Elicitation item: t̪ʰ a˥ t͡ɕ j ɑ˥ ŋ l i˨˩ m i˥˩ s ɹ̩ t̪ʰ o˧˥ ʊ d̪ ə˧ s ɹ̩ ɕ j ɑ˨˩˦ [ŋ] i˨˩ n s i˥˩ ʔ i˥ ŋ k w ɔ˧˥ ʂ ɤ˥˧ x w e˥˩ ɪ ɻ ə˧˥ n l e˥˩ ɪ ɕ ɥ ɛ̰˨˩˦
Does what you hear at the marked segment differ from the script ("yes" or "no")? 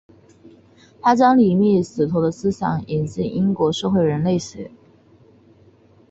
no